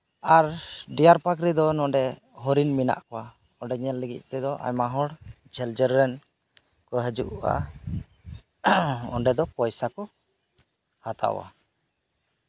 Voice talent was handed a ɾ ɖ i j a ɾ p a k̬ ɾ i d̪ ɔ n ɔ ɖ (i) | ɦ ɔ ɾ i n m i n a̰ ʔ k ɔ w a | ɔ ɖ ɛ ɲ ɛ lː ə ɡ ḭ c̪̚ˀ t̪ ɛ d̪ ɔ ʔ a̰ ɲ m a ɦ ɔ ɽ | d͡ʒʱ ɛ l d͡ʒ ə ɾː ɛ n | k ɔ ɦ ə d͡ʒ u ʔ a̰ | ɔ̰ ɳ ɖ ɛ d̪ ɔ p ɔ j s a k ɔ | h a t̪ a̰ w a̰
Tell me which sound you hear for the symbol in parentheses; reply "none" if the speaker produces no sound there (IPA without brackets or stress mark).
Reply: ɛ